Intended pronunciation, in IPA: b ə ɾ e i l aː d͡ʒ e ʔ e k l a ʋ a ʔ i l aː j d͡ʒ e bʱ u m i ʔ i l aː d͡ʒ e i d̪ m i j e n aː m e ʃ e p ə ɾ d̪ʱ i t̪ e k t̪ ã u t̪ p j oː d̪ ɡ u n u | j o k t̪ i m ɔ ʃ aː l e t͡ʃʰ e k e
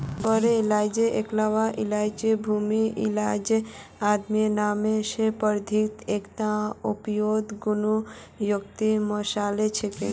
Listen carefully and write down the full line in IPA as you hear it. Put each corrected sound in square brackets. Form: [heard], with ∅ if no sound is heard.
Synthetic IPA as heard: b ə ɾ e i l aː d͡ʒ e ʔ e k l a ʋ a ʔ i l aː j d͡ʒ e bʱ u m i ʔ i l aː d͡ʒ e [a] d̪ m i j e n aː m e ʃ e p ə ɾ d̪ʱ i t̪ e k t̪ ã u [∅] p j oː d̪ ɡ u n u | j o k t̪ i m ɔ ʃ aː l e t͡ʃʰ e k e